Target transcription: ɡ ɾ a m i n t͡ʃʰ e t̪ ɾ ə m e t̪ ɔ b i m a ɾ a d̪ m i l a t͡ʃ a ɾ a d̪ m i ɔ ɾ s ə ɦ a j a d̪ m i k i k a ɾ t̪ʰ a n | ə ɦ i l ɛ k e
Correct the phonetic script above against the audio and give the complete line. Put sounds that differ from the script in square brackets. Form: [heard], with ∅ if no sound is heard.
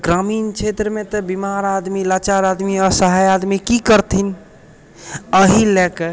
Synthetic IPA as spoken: ɡ ɾ a m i n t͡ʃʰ e t̪ ɾ ə m e t̪ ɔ b i m a ɾ a d̪ m i l a t͡ʃ a ɾ a d̪ m i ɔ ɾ s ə ɦ a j a d̪ m i k i k [ə] ɾ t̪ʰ [i] n | ə ɦ i l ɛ k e